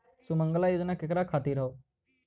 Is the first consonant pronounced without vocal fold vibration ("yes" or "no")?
yes